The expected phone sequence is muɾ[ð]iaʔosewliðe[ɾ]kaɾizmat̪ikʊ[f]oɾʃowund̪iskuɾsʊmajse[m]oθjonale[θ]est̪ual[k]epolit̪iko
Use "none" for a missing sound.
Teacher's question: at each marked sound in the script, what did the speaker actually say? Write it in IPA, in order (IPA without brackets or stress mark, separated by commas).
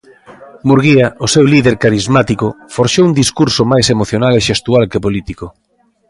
ɣ, ɾ, f, m, ʃ, k